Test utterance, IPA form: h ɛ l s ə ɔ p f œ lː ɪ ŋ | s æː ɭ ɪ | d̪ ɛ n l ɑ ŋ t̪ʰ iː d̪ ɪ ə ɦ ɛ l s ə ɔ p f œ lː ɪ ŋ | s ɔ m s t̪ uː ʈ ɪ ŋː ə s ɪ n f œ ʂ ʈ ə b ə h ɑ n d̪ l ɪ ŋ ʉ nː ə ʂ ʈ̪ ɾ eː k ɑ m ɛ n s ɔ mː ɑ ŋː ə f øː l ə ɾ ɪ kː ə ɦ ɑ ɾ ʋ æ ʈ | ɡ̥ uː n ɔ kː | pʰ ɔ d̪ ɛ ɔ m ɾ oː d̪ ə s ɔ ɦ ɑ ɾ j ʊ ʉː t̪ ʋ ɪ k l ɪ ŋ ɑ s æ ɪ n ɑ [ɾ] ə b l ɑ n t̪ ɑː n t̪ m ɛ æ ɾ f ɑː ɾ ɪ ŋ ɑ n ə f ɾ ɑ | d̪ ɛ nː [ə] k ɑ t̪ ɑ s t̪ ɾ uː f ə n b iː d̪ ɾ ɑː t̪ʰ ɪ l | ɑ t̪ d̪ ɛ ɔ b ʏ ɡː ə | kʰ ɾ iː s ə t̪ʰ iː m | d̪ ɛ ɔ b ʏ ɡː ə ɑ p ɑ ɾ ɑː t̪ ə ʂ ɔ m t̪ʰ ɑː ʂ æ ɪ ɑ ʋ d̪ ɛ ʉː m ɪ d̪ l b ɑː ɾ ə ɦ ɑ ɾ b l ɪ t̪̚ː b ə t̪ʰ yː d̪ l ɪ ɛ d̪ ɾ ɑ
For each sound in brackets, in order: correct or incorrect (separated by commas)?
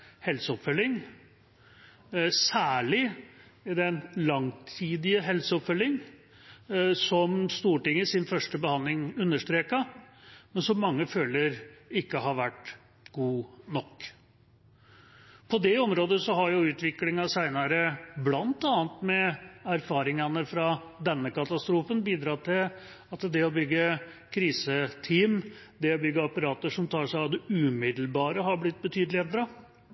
correct, correct